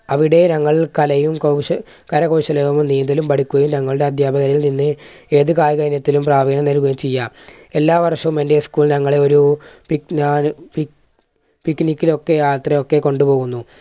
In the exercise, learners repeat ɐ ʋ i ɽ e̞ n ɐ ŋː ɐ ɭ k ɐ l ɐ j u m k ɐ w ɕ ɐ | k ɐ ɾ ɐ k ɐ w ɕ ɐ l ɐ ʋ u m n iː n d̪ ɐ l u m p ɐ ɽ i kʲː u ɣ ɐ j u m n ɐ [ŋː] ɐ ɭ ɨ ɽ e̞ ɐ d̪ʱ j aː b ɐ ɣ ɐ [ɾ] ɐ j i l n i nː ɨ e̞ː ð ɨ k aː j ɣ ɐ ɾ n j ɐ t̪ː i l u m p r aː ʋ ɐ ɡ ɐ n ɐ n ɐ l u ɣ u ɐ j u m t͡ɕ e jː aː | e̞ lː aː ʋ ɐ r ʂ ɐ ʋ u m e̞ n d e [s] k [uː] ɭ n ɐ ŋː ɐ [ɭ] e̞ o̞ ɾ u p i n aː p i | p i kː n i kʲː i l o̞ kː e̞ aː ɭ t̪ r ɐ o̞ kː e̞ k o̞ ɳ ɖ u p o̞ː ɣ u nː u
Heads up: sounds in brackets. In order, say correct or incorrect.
correct, correct, correct, correct, correct

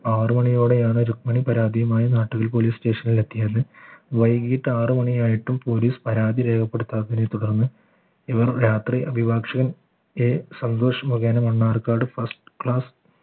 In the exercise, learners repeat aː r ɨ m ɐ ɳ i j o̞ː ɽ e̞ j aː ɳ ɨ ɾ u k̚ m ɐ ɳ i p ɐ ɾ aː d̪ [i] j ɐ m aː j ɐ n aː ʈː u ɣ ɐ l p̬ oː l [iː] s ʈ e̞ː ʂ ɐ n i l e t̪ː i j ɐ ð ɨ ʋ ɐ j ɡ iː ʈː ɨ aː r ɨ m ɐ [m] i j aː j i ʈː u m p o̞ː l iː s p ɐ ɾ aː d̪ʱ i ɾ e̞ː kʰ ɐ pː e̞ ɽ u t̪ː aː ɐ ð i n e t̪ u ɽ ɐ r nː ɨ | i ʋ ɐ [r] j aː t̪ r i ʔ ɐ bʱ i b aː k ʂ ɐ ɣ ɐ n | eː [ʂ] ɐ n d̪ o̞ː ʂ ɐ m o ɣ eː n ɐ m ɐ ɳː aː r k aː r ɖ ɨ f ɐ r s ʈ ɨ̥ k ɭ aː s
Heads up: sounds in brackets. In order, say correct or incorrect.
correct, correct, incorrect: ɳ, correct, incorrect: s

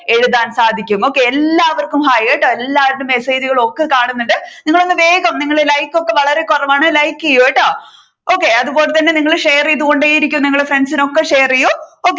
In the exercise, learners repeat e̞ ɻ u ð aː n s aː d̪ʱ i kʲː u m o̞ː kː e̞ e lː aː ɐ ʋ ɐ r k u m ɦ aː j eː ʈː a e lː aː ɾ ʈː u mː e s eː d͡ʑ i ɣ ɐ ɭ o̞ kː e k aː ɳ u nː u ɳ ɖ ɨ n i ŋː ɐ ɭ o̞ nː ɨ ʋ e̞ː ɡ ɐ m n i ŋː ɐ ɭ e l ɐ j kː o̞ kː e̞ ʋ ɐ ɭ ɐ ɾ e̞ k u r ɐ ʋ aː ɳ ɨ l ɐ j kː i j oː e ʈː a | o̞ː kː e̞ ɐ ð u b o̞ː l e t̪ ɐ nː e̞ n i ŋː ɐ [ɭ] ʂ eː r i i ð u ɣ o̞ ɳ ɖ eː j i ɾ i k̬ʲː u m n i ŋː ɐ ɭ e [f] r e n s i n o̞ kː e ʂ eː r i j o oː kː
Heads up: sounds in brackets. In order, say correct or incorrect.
correct, correct

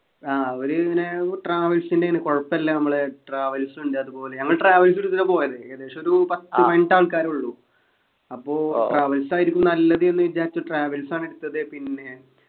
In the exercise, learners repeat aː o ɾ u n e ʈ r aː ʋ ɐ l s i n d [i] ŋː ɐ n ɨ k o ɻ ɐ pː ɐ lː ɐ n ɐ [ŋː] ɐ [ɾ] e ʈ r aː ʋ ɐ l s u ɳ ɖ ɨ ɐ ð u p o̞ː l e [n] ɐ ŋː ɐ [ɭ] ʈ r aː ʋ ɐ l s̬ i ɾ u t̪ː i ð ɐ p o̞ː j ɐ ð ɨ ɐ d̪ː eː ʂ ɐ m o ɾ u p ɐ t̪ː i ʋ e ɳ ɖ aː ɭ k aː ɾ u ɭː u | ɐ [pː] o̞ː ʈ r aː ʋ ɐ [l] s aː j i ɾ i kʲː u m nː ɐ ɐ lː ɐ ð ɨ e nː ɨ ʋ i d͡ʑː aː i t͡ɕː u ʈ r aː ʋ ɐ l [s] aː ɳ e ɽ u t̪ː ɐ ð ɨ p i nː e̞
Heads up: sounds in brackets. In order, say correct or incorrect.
incorrect: e, incorrect: mː, incorrect: ɭ, incorrect: ɲ, correct, correct, correct, correct

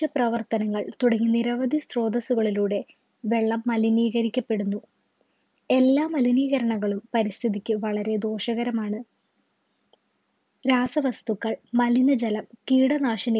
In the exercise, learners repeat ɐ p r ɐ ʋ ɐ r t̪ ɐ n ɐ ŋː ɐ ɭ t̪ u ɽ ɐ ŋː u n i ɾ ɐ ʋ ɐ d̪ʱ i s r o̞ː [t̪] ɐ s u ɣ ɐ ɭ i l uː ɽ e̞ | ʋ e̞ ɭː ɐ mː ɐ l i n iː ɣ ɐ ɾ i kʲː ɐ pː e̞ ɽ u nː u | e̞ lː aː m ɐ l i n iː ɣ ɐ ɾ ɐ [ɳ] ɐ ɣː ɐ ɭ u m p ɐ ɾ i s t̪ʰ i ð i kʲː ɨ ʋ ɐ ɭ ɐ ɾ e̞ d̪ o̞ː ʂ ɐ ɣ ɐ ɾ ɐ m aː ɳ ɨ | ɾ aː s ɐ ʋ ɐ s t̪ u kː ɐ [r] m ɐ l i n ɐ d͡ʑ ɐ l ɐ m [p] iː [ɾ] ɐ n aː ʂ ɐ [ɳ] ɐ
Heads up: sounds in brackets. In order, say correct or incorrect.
incorrect: d̪, correct, incorrect: ɭ, incorrect: k, incorrect: ɽ, incorrect: n

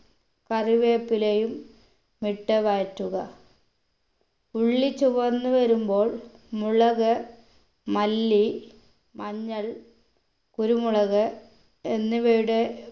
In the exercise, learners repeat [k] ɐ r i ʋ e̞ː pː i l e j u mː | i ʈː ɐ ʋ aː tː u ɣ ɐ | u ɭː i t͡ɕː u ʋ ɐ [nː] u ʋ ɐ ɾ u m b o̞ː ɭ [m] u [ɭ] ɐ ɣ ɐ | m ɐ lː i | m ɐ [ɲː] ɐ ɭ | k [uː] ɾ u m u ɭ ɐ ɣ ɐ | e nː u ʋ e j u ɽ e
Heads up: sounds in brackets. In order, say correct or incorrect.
correct, correct, correct, correct, correct, incorrect: u

